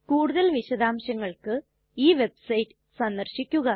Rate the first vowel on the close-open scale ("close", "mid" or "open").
close